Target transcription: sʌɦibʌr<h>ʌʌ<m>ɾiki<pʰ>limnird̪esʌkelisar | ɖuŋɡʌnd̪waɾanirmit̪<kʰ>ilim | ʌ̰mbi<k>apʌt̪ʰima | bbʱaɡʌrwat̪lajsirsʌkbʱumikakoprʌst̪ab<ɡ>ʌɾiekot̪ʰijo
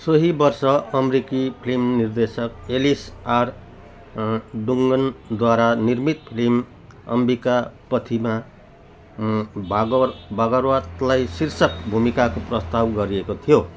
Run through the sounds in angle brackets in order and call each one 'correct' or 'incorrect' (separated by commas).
incorrect, correct, correct, incorrect, correct, correct